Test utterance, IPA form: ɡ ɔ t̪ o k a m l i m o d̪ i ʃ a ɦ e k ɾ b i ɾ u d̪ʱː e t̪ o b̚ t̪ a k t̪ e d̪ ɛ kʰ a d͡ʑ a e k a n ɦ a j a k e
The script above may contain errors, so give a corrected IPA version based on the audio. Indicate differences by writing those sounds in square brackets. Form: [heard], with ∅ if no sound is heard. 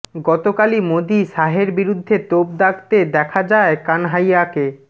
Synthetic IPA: ɡ ɔ t̪ o k a [∅] l i m o d̪ i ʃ a ɦ e [∅] ɾ b i ɾ u d̪ʱː e t̪ o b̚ [d̪] a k t̪ e d̪ ɛ kʰ a d͡ʑ a e k a n ɦ a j a k e